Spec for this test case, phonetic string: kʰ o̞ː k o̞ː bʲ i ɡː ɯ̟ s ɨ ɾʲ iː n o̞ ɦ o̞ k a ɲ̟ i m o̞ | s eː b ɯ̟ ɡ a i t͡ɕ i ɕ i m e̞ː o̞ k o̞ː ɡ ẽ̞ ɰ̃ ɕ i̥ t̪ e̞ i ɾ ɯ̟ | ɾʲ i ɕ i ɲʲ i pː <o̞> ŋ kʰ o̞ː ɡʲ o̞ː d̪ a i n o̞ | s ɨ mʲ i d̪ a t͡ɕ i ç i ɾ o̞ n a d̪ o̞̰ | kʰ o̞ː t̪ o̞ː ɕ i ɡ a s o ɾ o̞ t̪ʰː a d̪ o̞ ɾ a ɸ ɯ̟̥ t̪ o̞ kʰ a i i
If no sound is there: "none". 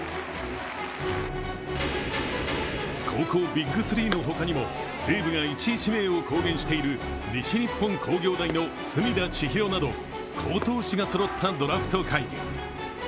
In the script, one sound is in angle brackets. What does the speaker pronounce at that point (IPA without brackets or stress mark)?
õ̞